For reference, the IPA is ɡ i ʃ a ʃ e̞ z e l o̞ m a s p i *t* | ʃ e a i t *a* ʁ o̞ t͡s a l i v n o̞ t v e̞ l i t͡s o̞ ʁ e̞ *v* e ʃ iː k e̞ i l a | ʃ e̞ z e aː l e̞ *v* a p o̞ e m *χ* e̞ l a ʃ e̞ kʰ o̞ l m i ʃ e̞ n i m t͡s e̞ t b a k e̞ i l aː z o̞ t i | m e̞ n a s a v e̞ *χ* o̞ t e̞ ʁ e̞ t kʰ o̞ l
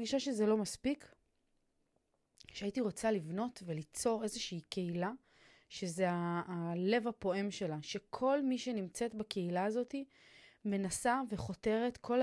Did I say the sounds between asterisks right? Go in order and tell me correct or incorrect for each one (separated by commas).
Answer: incorrect, incorrect, incorrect, correct, incorrect, correct